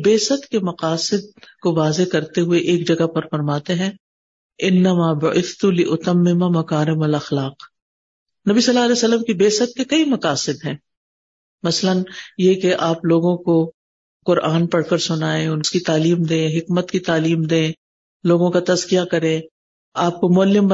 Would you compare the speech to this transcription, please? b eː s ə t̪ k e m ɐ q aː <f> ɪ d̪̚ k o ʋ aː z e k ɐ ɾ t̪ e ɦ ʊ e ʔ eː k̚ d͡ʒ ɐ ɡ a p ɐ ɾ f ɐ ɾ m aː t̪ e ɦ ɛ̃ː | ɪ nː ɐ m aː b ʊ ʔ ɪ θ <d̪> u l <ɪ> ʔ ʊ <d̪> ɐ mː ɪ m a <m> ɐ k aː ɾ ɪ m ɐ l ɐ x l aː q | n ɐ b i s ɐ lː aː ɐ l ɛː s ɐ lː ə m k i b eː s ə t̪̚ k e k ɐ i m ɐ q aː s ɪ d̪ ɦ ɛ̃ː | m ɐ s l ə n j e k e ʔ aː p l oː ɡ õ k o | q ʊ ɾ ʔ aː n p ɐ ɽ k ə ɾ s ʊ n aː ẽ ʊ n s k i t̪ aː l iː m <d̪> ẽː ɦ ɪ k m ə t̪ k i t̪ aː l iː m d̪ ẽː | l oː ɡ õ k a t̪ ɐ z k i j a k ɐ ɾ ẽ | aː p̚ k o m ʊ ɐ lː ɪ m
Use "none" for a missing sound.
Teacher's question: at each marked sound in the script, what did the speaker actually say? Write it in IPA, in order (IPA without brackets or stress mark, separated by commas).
s, t̪, ɪ, t̪, m, d̪